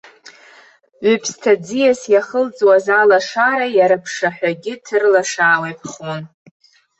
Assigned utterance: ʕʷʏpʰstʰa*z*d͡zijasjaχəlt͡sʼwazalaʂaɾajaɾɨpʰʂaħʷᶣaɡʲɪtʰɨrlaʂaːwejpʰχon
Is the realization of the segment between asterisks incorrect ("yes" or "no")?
yes